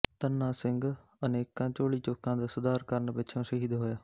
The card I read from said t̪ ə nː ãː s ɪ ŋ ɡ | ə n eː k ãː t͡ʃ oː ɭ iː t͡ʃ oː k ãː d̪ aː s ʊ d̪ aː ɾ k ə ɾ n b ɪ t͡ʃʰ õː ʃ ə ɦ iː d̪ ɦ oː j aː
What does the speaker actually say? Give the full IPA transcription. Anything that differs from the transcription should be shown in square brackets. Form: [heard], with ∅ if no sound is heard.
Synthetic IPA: t̪ ə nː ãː s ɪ ŋ ɡ | ə n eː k ãː t͡ʃ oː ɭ iː t͡ʃ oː k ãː d̪ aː s ʊ d̪ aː ɾ k ə ɾ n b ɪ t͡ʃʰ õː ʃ ə ɦ iː d̪ ɦ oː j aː

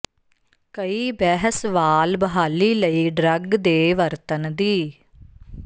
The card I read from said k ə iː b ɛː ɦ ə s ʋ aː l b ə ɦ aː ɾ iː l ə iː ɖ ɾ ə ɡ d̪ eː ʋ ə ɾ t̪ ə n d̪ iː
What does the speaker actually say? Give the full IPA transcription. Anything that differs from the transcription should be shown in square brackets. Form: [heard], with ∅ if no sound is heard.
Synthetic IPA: k ə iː b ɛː ɦ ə s ʋ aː l b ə ɦ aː [l] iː l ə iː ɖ ɾ ə ɡ d̪ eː ʋ ə ɾ t̪ ə n d̪ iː

